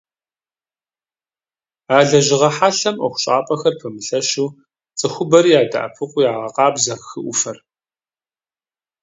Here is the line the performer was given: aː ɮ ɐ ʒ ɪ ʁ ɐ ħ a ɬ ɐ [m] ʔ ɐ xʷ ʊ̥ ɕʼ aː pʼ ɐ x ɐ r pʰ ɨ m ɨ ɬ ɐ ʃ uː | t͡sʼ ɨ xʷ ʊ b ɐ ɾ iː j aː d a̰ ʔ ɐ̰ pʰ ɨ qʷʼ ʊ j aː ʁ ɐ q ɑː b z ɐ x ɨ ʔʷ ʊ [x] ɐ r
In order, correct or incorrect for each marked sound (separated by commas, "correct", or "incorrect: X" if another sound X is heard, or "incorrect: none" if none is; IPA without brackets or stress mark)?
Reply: correct, incorrect: f